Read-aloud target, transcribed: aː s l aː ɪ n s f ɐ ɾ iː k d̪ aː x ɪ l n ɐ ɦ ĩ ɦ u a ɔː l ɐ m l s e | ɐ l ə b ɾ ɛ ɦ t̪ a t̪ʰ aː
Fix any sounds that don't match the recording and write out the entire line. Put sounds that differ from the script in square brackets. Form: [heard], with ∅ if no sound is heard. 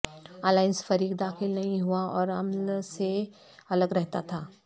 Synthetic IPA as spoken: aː [∅] l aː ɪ n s f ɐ ɾ iː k d̪ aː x ɪ l n ɐ ɦ ĩ ɦ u a ɔː [ɾ] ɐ m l s e | ɐ l ə [ɡ] ɾ ɛ ɦ t̪ a t̪ʰ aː